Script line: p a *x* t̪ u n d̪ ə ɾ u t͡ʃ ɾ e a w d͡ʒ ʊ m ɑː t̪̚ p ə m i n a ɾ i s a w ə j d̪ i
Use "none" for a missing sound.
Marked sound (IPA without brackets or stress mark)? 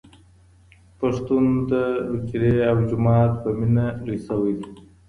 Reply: ʂ